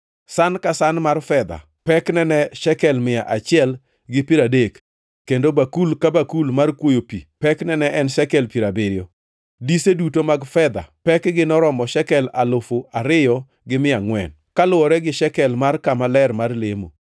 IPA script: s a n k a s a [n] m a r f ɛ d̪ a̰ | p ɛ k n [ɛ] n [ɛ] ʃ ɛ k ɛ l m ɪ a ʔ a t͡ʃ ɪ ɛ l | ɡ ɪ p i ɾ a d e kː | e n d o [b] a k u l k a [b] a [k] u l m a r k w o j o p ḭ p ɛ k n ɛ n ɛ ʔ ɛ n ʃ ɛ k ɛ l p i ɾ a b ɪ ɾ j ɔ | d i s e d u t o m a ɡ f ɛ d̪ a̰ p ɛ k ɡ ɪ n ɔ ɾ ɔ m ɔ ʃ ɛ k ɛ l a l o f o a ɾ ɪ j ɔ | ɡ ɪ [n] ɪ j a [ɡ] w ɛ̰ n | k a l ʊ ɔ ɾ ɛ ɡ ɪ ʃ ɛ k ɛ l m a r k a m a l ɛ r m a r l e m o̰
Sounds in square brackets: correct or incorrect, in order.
correct, correct, correct, correct, correct, correct, incorrect: m, incorrect: ŋ

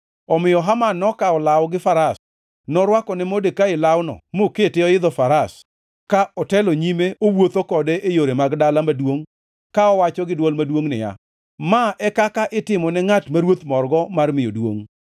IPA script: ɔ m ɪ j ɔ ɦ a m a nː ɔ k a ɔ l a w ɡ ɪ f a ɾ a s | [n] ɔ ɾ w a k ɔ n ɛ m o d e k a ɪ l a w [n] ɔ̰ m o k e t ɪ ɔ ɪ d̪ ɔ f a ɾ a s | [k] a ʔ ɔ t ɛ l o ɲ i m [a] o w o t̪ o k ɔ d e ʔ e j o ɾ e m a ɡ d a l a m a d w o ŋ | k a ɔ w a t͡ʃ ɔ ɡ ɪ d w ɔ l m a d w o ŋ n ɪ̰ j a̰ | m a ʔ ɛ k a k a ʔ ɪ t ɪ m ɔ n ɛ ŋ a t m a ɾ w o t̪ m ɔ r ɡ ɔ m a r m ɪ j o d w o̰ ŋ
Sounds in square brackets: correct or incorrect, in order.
correct, correct, correct, incorrect: e

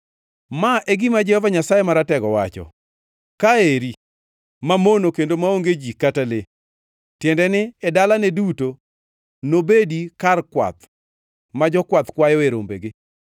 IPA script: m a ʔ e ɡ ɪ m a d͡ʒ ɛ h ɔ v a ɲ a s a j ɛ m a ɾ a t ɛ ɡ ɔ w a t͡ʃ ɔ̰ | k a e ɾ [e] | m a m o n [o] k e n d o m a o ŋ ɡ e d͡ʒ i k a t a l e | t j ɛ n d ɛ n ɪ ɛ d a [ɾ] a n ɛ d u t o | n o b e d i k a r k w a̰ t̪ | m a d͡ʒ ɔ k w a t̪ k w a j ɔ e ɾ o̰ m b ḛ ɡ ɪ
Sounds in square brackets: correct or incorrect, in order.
incorrect: i, correct, incorrect: l

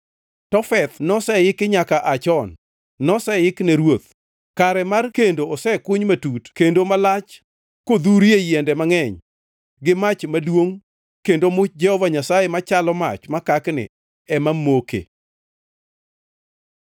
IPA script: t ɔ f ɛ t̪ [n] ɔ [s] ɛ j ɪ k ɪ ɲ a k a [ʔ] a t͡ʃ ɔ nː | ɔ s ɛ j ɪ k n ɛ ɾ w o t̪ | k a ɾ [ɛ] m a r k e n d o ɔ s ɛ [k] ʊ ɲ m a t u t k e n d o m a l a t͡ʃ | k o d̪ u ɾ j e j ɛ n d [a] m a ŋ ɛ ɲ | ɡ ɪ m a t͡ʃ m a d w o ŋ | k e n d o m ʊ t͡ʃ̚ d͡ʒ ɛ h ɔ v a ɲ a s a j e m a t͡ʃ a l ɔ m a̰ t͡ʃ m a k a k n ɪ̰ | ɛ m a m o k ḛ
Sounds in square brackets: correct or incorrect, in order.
correct, correct, correct, correct, correct, incorrect: ɛ

